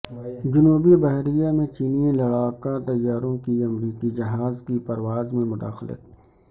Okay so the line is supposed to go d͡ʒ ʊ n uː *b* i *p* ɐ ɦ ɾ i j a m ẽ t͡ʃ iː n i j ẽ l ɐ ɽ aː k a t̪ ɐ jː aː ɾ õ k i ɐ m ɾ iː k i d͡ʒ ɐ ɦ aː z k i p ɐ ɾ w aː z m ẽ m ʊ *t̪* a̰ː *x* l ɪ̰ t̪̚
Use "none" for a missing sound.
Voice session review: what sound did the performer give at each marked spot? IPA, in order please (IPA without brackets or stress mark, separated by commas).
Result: b, b, d̪, x